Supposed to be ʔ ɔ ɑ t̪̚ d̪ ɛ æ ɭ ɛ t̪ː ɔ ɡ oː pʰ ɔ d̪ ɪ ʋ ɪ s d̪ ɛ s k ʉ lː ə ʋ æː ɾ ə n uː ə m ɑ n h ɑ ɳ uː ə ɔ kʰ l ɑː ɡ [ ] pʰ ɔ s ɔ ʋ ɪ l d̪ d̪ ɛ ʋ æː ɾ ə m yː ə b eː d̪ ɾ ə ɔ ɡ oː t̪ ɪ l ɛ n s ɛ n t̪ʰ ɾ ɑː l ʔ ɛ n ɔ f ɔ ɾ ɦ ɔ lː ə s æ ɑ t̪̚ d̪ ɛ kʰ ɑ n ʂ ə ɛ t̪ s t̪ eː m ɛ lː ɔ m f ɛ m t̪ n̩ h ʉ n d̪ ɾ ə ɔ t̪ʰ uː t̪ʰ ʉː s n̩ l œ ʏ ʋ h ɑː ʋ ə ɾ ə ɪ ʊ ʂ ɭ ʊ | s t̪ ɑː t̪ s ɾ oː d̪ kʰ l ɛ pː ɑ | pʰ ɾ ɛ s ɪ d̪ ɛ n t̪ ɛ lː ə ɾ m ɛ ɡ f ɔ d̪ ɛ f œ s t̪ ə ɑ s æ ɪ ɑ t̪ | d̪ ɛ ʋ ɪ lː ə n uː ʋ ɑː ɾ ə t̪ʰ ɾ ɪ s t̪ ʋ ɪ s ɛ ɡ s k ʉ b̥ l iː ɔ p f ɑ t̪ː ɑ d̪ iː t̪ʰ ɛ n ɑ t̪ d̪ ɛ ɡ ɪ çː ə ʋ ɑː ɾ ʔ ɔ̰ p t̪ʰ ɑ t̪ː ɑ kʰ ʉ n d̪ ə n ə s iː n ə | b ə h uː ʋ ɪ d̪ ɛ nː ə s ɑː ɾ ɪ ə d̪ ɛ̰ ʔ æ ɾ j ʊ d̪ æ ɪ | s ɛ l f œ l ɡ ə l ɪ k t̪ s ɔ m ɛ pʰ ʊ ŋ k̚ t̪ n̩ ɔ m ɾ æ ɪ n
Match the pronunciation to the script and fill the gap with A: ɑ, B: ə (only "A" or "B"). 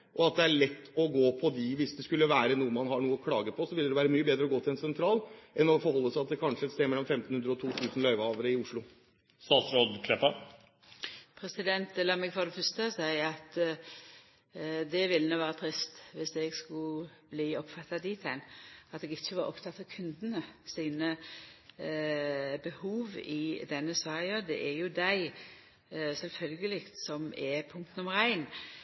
B